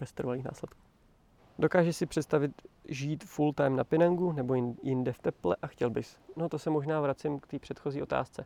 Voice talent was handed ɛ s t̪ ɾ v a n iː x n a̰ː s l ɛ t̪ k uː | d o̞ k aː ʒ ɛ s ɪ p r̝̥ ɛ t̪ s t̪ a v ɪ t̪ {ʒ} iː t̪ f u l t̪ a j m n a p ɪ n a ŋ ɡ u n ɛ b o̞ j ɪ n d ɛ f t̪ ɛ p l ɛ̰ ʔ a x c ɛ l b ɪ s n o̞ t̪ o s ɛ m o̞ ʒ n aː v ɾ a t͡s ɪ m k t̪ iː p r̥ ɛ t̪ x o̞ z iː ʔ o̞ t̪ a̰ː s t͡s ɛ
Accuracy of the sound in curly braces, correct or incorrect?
correct